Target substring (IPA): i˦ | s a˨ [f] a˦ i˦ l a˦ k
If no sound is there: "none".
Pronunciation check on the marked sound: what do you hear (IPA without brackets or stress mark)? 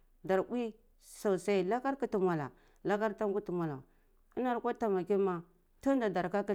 s